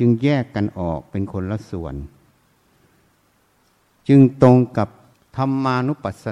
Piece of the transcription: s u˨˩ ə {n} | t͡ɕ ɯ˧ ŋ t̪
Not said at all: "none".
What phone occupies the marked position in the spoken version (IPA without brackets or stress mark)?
n